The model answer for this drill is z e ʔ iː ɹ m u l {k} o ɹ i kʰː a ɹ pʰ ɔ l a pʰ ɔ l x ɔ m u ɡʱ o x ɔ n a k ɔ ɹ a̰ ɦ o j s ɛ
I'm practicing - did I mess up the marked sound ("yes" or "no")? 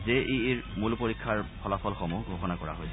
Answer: yes